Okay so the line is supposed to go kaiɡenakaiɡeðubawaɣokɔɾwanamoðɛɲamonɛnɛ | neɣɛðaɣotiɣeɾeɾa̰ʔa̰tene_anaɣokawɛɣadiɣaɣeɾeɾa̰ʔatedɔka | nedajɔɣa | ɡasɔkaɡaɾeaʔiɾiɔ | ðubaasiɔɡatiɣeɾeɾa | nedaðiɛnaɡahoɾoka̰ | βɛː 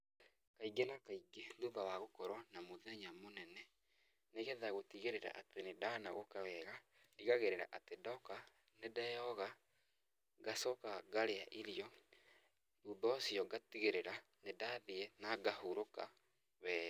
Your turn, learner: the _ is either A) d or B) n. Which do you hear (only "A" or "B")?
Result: A